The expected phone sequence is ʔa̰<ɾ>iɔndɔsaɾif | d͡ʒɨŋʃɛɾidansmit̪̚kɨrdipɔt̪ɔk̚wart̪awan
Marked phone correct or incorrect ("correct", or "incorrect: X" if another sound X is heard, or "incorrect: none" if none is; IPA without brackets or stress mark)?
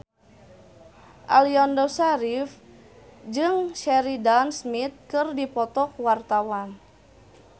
incorrect: l